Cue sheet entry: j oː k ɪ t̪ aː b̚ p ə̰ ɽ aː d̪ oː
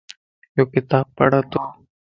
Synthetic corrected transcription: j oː k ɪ t̪ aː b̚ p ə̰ ɽ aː t̪ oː